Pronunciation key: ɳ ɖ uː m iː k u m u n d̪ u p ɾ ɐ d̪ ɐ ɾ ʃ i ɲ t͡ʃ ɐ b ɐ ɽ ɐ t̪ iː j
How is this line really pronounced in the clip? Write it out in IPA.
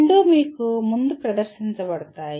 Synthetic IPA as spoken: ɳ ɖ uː m iː k u m u n d̪ u p ɾ ɐ d̪ ɐ ɾ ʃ i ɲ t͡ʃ ɐ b ɐ ɽ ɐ t̪ aː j

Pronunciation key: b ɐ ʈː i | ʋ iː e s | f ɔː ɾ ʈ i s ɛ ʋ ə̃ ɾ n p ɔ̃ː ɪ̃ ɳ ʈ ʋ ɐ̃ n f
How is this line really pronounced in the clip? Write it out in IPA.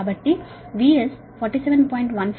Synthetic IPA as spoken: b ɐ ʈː i | ʋ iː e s | f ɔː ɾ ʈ i s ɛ ʋ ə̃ n p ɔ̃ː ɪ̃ ɳ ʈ ʋ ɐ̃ n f

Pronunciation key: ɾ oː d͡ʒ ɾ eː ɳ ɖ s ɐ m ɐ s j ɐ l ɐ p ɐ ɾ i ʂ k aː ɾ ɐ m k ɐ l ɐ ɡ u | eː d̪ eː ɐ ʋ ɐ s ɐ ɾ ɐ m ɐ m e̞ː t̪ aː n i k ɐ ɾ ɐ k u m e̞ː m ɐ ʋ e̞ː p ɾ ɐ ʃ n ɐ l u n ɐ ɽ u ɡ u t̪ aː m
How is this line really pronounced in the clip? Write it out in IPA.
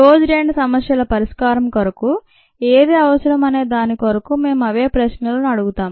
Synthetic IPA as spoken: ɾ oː d͡ʒ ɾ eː ɳ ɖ s ɐ m ɐ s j ɐ l ɐ p ɐ ɾ i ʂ k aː ɾ ɐ m k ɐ ɾ ɐ k u | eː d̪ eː ɐ ʋ ɐ s ɐ ɾ ɐ m ɐ n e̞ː d̪ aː n i k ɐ ɾ ɐ k u m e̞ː m ɐ ʋ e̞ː p ɾ ɐ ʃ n ɐ l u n ɐ ɽ u ɡ u t̪ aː m

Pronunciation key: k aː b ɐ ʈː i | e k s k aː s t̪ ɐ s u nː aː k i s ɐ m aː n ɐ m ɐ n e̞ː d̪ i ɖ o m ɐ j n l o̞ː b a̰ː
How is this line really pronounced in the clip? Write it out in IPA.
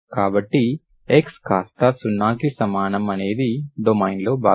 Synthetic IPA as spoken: k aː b ɐ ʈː i | e k s k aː s t̪ ɐ s u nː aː k i s ɐ m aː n ɐ m ɐ n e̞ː d̪ i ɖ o m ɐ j n l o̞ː b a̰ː

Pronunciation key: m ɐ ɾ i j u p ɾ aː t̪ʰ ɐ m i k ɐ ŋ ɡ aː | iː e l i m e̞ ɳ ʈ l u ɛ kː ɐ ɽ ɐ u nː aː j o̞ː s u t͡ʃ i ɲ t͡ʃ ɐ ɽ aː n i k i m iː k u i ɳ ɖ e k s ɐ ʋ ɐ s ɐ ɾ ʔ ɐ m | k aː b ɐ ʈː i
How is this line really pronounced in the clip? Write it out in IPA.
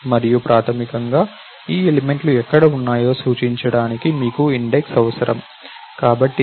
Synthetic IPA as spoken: m ɐ ɾ i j u p ɾ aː t̪ʰ ɐ m i k ɐ ŋ ɡ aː | iː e l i m e̞ ɳ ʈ l u ɛ kː ɐ ɽ ɐ u nː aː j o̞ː s uː t͡ʃ i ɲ t͡ʃ ɐ ɽ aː n i k i m iː k u i ɳ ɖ e k s ɐ ʋ ɐ s ɐ ɾ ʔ ɐ m | k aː b ɐ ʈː i

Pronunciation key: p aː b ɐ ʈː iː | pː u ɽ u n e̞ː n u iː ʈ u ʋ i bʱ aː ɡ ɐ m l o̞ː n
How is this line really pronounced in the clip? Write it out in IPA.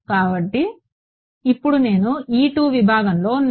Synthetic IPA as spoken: k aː b ɐ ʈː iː | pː u ɽ u n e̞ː n u iː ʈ uː ʋ i bʱ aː ɡ ɐ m l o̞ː n

